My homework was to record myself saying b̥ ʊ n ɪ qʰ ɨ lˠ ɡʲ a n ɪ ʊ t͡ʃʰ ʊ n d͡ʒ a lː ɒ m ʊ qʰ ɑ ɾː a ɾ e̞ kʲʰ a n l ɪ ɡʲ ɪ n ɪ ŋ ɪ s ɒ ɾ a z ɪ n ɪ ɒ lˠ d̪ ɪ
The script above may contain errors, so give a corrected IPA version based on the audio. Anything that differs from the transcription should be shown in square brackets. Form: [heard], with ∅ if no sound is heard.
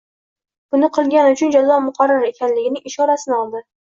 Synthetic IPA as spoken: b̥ ʊ n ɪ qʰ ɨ lˠ ɡʲ a n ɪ ʊ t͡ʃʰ ʊ n d͡ʒ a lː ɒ m ʊ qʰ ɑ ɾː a ɾ e̞ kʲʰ a n l ɪ ɡʲ ɪ n ɪ ŋ ɪ [ʃ] ɒ ɾ a [s] ɪ n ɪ ɒ lˠ d̪ ɪ

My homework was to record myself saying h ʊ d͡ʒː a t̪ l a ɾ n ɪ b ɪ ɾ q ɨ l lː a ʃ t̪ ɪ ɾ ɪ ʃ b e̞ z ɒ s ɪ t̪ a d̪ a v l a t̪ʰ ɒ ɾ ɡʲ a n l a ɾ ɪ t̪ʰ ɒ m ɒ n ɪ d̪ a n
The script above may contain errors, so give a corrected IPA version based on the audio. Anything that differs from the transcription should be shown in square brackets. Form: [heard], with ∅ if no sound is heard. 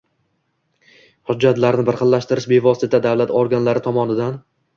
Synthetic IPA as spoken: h ʊ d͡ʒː a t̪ l a ɾ n ɪ b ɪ ɾ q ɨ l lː a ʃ t̪ ɪ ɾ ɪ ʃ b e̞ [v] ɒ s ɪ t̪ a d̪ a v l a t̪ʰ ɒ ɾ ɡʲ a n l a ɾ ɪ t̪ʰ ɒ m ɒ n ɪ d̪ a n

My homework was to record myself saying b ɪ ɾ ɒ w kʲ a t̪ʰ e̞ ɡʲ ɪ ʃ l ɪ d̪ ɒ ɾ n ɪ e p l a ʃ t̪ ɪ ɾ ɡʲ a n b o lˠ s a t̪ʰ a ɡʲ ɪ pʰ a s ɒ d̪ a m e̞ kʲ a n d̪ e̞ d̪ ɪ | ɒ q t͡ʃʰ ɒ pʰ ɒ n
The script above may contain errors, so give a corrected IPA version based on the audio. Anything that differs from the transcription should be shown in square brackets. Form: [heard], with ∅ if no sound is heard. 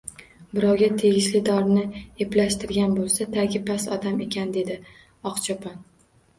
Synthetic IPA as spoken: b ɪ ɾ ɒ w [ɡʲ] a t̪ʰ e̞ ɡʲ ɪ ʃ l ɪ d̪ ɒ ɾ n ɪ e p l a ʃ t̪ ɪ ɾ ɡʲ a n b o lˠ s a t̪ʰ a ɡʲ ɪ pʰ a s ɒ d̪ a m e̞ kʲ a n d̪ e̞ d̪ ɪ | ɒ q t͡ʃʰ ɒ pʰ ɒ n

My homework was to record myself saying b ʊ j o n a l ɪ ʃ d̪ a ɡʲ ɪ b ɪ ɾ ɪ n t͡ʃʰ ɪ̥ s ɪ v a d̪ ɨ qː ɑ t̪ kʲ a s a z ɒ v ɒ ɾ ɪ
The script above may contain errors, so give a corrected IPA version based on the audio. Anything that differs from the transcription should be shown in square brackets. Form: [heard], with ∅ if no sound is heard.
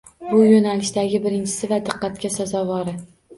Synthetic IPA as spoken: b ʊ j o n a l ɪ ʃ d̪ a ɡʲ ɪ b ɪ ɾ ɪ n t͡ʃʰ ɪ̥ s ɪ v a d̪ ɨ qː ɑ t̪ kʲ a s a z ɒ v ɒ ɾ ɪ

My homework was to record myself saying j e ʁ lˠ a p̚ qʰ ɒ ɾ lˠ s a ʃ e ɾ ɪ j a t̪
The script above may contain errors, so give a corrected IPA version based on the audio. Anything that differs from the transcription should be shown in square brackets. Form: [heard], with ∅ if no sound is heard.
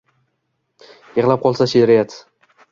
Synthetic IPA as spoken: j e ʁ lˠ a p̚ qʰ ɒ [∅] lˠ s a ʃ e ɾ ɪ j a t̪

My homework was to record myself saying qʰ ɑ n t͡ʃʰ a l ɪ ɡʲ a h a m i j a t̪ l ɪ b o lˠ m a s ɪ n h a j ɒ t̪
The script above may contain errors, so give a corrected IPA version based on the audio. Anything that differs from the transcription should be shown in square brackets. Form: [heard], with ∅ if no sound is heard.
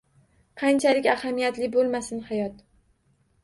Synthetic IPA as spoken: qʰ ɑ n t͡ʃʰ a l ɪ [kʲ] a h a m i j a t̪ l ɪ b o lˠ m a s ɪ n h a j ɒ t̪

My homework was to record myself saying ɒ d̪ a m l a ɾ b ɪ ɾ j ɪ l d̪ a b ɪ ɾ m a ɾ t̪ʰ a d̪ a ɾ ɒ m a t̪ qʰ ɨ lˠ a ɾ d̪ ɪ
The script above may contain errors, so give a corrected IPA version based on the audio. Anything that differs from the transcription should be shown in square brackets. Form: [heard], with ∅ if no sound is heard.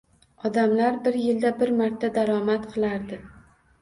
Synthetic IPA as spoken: ɒ d̪ a m l a ɾ b ɪ ɾ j ɪ l d̪ a b ɪ ɾ m a ɾ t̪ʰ a d̪ a ɾ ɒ m a t̪ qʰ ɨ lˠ a ɾ d̪ ɪ

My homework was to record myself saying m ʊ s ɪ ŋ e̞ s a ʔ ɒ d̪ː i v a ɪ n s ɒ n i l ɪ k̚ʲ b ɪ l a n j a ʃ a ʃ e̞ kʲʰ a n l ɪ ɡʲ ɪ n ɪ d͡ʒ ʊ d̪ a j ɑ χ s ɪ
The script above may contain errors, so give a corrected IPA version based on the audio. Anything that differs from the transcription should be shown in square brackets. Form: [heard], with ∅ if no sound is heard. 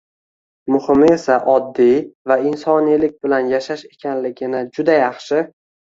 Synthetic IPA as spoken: m ʊ [h] ɪ [m] e̞ s a ʔ ɒ d̪ː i v a ɪ n s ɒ n i l ɪ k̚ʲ b ɪ l a n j a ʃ a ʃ e̞ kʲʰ a n l ɪ ɡʲ ɪ n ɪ d͡ʒ ʊ d̪ a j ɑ χ [ʃ] ɪ

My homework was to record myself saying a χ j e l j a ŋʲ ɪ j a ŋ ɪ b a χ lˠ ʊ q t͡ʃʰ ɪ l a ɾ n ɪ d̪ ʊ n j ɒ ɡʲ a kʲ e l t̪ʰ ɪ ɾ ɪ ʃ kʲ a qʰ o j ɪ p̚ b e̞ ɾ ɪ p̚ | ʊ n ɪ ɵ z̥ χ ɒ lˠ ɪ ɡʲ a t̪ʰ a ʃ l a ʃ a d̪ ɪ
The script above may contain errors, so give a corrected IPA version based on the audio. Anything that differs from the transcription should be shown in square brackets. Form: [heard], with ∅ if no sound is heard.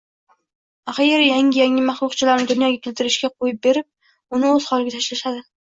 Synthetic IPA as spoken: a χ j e [ɾ] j a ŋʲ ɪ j a ŋ ɪ [m] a χ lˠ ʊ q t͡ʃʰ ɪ l a ɾ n ɪ d̪ ʊ n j ɒ ɡʲ a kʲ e l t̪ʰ ɪ ɾ ɪ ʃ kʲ a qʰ o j ɪ p̚ b e̞ ɾ ɪ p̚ | ʊ n ɪ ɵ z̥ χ ɒ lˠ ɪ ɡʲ a t̪ʰ a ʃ l a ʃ a d̪ ɪ

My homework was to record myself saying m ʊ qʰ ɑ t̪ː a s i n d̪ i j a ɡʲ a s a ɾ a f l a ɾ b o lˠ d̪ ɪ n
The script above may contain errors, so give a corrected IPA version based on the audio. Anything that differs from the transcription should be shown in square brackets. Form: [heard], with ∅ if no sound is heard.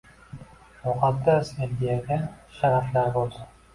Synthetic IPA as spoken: m ʊ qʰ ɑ [d̪ː] a s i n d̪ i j a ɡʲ a [ʃ] a ɾ a f l a ɾ b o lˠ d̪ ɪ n

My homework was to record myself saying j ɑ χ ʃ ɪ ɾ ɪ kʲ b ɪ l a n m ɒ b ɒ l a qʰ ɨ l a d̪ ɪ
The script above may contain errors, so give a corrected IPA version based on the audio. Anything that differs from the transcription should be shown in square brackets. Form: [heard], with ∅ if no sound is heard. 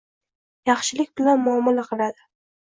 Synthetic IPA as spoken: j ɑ χ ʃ ɪ [l] ɪ kʲ b ɪ l a n m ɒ [m] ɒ l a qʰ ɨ l a d̪ ɪ

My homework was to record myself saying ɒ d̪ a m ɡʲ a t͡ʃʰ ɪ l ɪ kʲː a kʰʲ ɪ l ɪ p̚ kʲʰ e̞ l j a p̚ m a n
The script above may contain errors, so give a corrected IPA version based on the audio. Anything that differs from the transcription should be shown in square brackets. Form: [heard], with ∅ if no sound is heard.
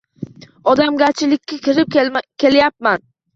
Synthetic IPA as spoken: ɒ d̪ a m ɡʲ a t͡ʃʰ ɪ l ɪ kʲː a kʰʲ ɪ [ɾ] ɪ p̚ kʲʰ e̞ l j a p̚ m a n

